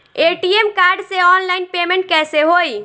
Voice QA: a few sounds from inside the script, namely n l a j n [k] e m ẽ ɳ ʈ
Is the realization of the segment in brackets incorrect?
yes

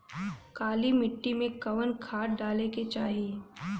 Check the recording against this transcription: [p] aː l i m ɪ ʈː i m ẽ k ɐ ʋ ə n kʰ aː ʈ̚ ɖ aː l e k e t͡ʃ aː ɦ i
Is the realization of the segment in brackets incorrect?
yes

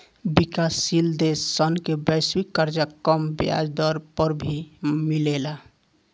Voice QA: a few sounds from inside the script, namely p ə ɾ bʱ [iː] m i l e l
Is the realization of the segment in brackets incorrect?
yes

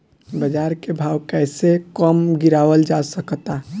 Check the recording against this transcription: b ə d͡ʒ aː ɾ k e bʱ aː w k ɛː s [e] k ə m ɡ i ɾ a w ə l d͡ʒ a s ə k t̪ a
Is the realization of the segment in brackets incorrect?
no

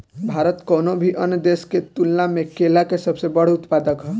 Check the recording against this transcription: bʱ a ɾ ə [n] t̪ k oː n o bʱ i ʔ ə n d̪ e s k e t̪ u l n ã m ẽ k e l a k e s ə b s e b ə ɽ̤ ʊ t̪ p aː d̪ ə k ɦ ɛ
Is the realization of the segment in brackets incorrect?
yes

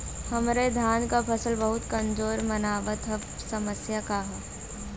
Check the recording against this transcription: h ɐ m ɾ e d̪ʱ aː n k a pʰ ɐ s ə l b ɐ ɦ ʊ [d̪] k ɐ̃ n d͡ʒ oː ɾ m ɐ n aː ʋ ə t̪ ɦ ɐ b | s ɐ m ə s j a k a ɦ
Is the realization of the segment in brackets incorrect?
yes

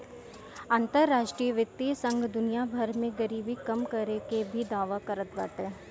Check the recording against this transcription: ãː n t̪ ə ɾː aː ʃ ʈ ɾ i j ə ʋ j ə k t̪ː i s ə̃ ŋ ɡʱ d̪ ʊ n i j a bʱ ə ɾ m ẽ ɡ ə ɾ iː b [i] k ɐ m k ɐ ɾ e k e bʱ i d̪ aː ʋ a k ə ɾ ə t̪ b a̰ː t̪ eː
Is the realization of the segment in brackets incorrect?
no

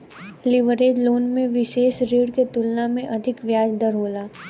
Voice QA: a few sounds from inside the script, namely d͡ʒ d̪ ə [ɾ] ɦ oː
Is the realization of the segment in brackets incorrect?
no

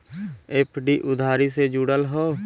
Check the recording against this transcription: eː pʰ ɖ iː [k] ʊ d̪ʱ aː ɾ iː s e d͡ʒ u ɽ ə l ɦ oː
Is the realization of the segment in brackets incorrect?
yes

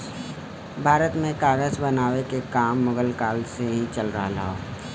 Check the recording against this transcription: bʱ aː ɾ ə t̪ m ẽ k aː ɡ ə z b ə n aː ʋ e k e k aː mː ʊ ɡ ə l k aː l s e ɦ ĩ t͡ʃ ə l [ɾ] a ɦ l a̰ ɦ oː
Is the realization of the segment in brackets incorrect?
no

